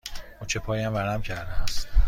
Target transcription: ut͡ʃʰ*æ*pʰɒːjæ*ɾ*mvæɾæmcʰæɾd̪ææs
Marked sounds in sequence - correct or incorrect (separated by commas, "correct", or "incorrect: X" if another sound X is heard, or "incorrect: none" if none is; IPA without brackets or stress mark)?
incorrect: e, incorrect: none